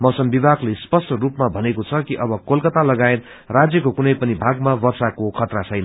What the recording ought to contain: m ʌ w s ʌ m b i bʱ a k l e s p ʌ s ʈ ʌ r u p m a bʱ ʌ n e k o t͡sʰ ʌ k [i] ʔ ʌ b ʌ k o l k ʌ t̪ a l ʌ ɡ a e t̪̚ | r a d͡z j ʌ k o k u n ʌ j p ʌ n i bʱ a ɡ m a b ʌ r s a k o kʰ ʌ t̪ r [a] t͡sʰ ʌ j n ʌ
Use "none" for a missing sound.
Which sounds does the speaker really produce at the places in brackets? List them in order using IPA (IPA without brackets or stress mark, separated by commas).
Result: i, a